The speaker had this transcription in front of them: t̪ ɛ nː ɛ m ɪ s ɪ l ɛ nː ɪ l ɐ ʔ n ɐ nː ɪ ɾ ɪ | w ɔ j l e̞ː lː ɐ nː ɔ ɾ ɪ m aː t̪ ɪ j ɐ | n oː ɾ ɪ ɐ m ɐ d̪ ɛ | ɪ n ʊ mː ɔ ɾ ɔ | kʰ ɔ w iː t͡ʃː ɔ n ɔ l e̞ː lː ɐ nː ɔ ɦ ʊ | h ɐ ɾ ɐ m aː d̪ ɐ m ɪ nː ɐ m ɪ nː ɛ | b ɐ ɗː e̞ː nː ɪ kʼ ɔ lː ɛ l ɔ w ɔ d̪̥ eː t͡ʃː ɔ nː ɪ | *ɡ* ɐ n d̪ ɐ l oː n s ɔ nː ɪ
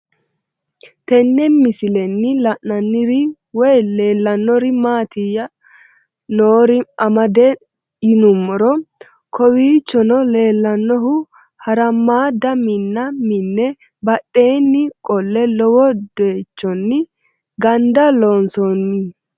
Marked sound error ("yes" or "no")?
no